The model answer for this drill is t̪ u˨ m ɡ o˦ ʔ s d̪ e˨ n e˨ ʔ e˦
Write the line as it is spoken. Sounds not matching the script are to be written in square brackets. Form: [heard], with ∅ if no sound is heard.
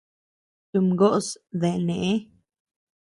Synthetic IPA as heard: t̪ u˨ m ɡ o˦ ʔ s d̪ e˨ n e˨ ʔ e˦